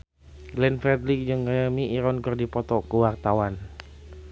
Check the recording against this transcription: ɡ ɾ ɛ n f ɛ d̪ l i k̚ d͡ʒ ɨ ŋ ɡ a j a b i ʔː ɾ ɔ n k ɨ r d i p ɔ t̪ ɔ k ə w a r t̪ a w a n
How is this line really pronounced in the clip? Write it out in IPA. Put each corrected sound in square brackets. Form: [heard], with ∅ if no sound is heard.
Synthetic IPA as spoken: ɡ [l] ɛ n f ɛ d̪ l i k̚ d͡ʒ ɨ ŋ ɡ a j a [m] i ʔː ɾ ɔ n k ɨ r d i p ɔ t̪ ɔ k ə w a r t̪ a w a n